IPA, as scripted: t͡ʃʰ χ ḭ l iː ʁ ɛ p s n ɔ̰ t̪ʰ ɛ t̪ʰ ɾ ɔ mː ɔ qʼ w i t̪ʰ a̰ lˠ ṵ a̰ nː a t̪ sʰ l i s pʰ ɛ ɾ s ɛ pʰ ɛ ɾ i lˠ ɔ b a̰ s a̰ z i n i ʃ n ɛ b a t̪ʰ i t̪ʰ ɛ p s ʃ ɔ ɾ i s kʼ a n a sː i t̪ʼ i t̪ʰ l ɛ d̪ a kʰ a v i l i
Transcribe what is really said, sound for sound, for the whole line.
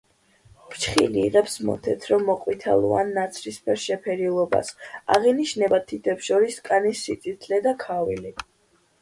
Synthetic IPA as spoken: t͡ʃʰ χ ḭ l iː ʁ ɛ p s m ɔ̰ t̪ʰ ɛ t̪ʰ ɾ ɔ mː ɔ qʼ w i t̪ʰ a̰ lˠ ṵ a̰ nː a t̪ sʰ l i s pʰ ɛ ɾ ʃ ɛ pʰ ɛ ɾ i lˠ ɔ b a̰ s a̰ ʁ i n i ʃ n ɛ b a t̪ʰ i t̪ʰ ɛ p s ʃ ɔ ɾ i s kʼ a n i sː i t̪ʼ i t̪ʰ l ɛ d̪ a kʰ a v i l i